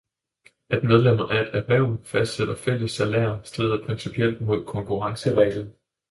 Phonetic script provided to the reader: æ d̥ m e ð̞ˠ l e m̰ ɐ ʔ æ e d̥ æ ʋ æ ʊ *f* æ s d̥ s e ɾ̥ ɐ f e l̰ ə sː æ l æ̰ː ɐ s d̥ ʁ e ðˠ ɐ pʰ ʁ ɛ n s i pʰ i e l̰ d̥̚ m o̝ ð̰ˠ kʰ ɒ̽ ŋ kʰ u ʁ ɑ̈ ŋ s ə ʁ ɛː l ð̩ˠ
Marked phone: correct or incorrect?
correct